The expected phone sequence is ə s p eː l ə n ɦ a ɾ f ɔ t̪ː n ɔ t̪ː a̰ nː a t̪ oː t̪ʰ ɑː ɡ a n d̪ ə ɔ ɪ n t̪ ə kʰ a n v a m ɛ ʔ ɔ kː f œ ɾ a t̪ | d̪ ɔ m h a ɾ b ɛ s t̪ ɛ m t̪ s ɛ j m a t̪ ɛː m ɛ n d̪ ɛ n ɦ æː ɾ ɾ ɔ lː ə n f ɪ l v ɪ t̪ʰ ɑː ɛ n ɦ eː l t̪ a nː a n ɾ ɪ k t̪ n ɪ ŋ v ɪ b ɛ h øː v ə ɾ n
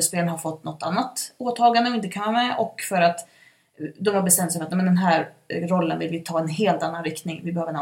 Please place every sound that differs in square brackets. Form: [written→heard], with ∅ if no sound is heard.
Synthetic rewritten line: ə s p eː l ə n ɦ a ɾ f ɔ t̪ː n ɔ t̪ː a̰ nː a t̪ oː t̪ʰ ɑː ɡ a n d̪ ə ɔ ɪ n t̪ ə kʰ a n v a m ɛ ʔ ɔ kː f œ ɾ a t̪ | d̪ ɔ m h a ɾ b ɛ s t̪ ɛ m t̪ s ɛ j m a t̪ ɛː m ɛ n d̪ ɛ n ɦ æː ɾ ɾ ɔ lː ə n [f→v] ɪ l v ɪ t̪ʰ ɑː ɛ n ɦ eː l t̪ a nː a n ɾ ɪ k t̪ n ɪ ŋ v ɪ b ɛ h øː v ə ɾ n